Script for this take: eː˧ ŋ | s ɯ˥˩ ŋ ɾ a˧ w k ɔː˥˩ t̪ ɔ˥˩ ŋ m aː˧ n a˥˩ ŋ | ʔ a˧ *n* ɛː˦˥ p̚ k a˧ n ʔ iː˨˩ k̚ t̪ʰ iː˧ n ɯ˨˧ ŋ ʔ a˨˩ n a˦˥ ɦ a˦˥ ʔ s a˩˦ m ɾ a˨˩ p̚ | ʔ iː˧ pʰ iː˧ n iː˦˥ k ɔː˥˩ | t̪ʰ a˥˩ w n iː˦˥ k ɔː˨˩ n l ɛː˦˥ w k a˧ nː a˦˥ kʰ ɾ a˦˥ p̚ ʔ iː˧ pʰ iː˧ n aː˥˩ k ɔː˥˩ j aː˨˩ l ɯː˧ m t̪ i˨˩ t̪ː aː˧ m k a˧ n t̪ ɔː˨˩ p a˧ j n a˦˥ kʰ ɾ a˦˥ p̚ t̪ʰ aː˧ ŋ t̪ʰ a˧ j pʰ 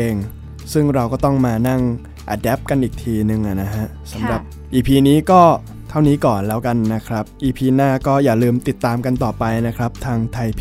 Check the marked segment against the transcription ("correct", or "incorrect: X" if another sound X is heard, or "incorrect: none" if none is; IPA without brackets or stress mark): incorrect: d